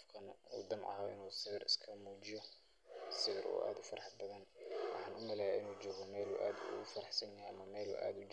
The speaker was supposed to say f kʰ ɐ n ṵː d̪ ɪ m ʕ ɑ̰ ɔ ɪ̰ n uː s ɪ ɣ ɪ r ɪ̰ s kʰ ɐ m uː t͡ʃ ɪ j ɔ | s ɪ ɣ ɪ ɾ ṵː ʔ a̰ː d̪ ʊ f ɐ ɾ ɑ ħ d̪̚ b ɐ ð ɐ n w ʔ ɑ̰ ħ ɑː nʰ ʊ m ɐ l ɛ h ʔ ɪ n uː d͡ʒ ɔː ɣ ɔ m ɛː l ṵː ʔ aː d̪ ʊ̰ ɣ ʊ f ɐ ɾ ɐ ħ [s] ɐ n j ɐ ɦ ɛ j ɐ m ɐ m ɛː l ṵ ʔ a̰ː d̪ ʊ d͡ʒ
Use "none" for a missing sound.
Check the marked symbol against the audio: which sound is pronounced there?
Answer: s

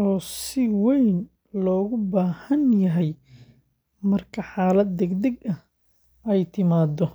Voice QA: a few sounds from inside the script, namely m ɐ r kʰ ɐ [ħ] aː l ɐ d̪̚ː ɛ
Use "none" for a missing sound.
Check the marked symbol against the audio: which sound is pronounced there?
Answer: ħ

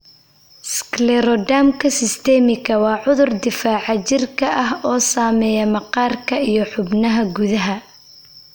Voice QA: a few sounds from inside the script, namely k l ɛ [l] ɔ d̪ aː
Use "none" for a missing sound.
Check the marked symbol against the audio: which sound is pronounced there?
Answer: ɾ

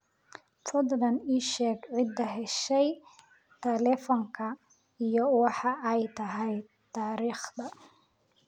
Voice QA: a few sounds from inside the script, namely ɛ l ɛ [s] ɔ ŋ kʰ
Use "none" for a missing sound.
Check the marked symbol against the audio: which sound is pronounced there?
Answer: f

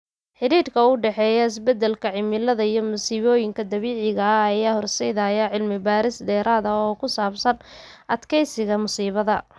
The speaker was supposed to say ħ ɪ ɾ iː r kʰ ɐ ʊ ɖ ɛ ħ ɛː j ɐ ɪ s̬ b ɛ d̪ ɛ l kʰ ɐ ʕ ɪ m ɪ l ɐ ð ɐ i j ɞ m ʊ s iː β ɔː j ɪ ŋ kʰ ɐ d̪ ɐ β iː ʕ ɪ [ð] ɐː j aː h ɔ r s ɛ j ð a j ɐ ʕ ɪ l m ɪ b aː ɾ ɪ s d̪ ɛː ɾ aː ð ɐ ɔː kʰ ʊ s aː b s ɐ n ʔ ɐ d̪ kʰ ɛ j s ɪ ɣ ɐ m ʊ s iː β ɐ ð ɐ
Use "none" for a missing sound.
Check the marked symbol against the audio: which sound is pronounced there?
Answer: ɣ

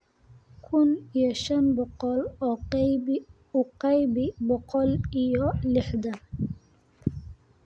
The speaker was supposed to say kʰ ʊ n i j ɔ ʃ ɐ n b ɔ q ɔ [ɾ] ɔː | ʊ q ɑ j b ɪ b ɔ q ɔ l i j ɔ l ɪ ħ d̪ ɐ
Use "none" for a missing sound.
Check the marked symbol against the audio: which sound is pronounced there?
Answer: l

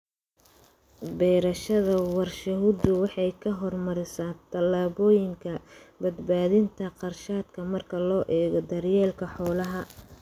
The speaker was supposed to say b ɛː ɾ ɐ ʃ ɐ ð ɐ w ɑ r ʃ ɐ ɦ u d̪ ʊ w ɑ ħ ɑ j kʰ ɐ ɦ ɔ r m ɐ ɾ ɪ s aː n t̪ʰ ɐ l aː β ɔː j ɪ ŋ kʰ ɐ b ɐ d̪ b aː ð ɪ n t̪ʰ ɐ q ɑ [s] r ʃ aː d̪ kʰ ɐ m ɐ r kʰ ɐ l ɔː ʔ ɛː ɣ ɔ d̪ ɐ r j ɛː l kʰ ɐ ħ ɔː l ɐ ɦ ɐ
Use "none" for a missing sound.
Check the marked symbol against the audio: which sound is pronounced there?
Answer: none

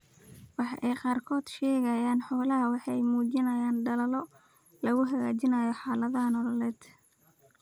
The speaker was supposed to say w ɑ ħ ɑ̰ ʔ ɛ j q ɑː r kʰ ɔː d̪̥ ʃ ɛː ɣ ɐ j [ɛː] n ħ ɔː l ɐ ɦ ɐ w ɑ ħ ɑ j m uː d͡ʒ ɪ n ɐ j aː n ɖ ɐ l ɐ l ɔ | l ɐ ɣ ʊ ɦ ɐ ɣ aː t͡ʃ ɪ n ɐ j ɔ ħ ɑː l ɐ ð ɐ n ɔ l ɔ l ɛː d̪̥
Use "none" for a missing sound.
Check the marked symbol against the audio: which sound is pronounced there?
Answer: aː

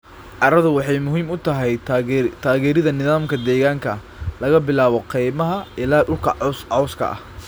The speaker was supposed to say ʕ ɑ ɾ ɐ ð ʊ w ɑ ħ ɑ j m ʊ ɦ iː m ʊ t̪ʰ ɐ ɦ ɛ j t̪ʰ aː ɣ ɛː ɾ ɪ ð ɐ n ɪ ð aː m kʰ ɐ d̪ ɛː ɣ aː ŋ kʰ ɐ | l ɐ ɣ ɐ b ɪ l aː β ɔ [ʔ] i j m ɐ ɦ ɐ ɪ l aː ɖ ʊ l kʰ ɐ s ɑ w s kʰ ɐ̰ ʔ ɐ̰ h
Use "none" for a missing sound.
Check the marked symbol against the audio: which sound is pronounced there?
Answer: q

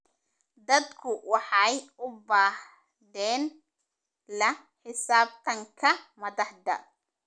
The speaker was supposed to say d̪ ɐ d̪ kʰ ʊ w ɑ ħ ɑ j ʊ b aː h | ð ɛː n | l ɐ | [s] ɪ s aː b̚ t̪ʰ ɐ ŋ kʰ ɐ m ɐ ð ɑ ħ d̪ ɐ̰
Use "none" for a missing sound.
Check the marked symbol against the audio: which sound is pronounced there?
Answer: ħ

